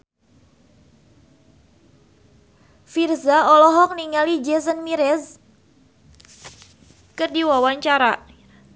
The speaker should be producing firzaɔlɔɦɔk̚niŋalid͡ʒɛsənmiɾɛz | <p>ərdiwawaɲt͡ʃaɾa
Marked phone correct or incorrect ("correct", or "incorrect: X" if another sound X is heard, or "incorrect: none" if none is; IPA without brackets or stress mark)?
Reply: incorrect: k